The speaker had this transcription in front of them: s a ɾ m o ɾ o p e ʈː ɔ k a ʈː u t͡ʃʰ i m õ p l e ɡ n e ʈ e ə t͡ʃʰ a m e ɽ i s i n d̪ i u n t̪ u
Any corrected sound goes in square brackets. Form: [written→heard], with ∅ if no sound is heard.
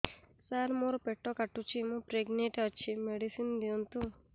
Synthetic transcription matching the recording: s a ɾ m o ɾ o p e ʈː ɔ k a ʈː u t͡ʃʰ i m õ p [l→ɾ] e ɡ n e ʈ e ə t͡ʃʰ [a→i] m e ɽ i s i n d̪ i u n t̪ u